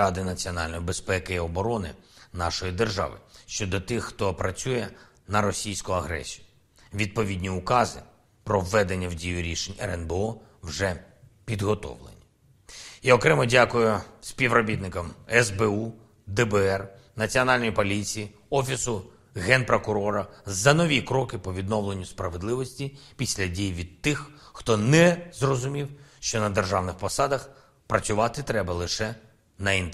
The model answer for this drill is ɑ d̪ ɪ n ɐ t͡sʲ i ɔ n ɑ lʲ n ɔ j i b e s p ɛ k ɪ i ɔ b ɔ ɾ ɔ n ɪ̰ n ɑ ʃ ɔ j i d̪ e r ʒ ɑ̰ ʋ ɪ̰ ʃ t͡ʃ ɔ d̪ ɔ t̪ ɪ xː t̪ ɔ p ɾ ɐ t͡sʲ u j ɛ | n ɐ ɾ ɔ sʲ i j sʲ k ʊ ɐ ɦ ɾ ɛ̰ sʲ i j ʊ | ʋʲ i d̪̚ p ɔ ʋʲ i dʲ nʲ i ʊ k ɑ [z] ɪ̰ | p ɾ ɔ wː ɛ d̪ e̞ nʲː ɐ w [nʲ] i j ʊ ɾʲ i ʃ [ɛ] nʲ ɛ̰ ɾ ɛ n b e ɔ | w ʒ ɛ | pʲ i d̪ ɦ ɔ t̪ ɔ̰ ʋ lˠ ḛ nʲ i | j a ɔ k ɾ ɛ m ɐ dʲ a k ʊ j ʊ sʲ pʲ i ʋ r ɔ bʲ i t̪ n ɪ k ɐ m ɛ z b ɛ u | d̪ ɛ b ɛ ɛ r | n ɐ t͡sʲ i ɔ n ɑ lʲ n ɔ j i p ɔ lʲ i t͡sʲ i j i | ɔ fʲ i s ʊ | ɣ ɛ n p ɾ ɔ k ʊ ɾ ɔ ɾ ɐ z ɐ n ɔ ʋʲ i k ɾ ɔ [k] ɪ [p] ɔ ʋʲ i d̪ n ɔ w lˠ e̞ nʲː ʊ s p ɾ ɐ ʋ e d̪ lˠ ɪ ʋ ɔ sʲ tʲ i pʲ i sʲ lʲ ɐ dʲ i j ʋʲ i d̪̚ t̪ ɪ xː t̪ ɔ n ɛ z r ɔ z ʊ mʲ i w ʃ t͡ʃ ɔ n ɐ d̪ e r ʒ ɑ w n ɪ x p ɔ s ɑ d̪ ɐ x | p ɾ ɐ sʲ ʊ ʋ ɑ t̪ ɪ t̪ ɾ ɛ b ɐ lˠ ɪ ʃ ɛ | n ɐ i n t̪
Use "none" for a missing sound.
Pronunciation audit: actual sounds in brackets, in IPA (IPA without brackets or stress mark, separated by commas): z, dʲ, e, k, p